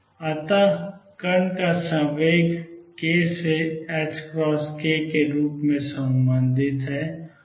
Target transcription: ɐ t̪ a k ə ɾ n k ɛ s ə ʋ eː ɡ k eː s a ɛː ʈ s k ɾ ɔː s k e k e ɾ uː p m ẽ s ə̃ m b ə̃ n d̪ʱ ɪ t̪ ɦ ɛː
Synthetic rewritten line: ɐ t̪ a k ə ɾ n k a s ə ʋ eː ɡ k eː s e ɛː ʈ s k ɾ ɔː s k e k e ɾ uː p m ẽ s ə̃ m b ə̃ n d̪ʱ ɪ t̪ ɦ ɛː